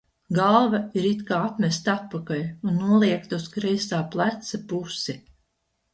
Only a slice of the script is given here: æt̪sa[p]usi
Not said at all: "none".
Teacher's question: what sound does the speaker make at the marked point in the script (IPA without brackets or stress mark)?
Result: p